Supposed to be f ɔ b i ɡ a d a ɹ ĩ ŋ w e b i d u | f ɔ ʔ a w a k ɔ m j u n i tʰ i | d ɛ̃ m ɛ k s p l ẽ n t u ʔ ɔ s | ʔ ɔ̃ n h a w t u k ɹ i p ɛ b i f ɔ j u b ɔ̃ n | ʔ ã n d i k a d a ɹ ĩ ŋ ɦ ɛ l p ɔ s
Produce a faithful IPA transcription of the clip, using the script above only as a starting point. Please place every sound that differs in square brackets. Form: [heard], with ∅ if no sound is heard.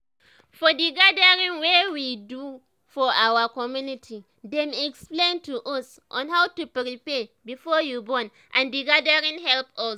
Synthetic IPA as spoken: f ɔ [d] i ɡ a d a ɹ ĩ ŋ w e [w] i d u | f ɔ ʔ a w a k ɔ m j u n i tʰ i | d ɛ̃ m ɛ k s p l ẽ n t u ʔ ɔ s | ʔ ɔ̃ n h a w t u [p] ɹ i p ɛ b i f ɔ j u b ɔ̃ n | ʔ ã n d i [ɡ] a d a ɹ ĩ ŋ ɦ ɛ l p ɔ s